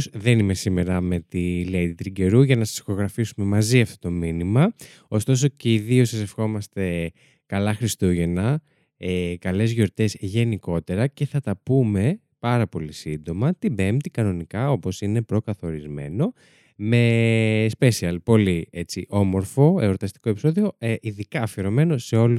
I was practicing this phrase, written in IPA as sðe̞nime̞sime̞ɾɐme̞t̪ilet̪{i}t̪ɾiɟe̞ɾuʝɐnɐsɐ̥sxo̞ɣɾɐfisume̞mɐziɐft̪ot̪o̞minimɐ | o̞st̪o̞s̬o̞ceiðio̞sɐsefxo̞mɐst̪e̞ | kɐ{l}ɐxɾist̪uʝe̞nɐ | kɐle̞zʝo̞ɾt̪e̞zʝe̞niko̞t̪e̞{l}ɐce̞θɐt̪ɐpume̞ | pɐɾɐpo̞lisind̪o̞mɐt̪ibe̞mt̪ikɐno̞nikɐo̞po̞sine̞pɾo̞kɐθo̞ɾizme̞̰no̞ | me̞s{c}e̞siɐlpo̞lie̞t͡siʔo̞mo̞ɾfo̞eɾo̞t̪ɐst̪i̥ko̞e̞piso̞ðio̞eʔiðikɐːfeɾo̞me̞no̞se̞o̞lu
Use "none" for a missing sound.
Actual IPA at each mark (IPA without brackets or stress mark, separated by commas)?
i, l, ɾ, p